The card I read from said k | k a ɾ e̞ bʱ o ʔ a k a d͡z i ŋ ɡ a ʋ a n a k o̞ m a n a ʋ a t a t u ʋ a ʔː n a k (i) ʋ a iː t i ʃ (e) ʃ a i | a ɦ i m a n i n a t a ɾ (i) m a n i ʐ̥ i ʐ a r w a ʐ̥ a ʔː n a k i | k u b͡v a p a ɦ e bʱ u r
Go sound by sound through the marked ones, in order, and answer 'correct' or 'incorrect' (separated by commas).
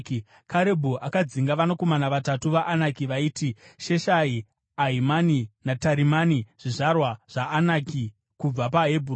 correct, correct, correct